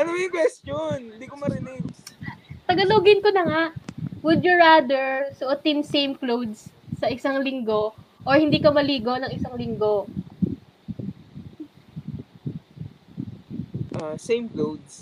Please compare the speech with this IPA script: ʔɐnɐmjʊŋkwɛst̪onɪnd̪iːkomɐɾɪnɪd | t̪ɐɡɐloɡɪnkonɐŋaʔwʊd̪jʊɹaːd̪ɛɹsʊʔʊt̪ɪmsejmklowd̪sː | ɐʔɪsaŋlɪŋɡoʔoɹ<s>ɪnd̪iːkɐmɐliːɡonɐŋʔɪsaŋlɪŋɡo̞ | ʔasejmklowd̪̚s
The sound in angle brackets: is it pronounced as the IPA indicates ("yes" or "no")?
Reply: no